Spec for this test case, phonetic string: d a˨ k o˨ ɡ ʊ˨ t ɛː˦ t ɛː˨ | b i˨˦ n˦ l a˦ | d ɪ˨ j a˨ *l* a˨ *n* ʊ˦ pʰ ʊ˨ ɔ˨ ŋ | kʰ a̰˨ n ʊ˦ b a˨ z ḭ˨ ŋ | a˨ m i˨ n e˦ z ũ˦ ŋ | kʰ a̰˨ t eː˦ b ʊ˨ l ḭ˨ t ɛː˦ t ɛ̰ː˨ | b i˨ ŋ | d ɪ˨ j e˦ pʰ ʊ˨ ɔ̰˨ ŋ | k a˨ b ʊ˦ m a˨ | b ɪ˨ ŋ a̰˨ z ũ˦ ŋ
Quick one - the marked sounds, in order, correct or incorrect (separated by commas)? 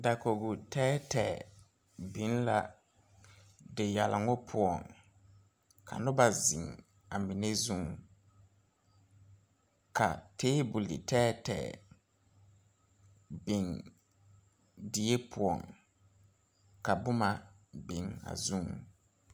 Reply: correct, incorrect